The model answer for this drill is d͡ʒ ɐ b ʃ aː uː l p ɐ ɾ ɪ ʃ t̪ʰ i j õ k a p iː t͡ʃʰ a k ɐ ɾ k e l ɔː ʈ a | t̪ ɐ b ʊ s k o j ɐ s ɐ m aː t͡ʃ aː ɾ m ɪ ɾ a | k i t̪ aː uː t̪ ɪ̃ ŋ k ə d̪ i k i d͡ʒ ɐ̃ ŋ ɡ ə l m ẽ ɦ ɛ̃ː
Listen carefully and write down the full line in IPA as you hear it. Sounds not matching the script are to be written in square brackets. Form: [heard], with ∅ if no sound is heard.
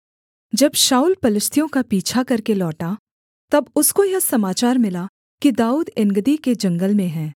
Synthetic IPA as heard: d͡ʒ ɐ b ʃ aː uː l p ɐ [l] ɪ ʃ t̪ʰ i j õ k a p iː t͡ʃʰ a k ɐ ɾ k e l ɔː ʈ a | t̪ ɐ b ʊ s k o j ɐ s ɐ m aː t͡ʃ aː ɾ m ɪ [l] a | k i [d̪] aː uː [d̪] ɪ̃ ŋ [ɡ] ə d̪ i k [e] d͡ʒ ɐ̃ ŋ ɡ ə l m ẽ ɦ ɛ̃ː